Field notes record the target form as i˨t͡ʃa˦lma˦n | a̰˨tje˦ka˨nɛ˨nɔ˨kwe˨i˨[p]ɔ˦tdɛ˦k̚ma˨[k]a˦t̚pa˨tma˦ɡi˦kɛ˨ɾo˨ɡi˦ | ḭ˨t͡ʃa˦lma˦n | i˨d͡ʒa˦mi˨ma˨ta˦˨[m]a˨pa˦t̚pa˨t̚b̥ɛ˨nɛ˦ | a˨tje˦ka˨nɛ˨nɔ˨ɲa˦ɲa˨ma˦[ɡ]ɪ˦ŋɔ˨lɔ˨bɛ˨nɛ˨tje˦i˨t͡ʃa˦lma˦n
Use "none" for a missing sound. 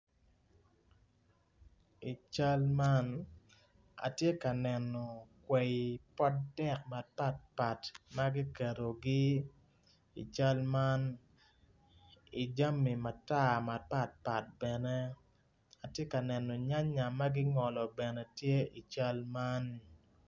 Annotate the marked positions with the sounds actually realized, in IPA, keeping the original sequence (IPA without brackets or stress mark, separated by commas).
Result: p, p, m, ɡ